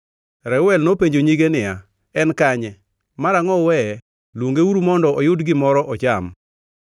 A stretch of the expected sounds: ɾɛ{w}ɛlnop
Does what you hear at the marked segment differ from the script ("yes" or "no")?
no